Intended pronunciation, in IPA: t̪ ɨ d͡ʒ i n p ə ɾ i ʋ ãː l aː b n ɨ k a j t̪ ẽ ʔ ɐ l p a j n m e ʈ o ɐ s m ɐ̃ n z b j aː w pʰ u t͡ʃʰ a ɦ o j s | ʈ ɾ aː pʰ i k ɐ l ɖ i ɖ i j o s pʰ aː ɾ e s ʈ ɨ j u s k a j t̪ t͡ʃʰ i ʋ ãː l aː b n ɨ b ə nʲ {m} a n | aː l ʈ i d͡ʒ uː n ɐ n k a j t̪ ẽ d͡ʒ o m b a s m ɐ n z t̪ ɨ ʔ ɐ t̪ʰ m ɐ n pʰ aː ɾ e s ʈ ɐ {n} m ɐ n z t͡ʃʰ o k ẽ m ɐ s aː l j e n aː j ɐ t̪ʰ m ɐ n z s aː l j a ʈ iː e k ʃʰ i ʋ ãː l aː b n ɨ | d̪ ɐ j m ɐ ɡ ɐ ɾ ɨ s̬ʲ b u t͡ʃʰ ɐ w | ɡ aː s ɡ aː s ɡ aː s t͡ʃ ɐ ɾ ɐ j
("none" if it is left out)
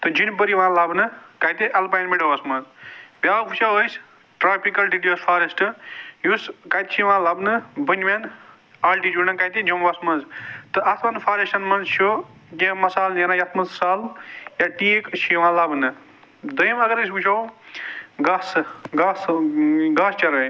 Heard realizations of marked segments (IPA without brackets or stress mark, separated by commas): m, n